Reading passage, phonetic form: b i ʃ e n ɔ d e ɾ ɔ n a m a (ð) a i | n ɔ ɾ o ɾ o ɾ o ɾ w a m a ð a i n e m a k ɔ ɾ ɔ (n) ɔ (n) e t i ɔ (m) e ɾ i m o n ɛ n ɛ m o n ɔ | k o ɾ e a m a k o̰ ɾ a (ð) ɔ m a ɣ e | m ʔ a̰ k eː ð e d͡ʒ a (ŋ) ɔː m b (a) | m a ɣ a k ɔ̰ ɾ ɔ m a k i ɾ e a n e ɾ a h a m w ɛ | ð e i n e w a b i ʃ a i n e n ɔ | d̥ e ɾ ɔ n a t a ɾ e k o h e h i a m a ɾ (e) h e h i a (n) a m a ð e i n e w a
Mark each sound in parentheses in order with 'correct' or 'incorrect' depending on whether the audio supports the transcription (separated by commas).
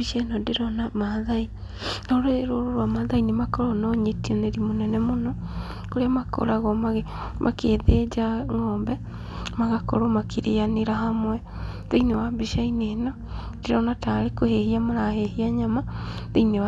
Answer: correct, correct, incorrect, incorrect, incorrect, correct, incorrect, incorrect, incorrect